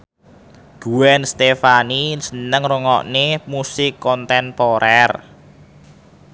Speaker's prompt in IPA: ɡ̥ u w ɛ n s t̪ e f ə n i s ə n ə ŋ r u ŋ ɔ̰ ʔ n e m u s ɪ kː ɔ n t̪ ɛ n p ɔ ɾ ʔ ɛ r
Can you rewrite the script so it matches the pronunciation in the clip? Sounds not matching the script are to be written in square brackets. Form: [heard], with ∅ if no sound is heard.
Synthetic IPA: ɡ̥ u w ɛ n s t̪ e f [a] n i s ə n ə ŋ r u ŋ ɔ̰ ʔ n e m u s ɪ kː ɔ n t̪ ɛ n p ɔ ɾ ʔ ɛ r